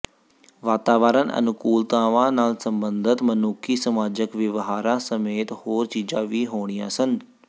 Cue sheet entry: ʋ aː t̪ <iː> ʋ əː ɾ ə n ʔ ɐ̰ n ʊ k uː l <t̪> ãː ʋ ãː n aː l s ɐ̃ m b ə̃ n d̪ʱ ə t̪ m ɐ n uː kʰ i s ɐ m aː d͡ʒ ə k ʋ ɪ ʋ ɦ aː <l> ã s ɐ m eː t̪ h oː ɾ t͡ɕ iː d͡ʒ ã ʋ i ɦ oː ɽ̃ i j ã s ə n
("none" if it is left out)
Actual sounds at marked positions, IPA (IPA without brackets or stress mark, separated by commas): aː, t̪, ɾ